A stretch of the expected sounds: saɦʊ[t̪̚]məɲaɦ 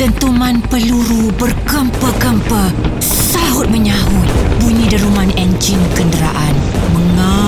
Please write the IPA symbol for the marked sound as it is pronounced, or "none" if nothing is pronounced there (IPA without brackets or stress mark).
t̪̚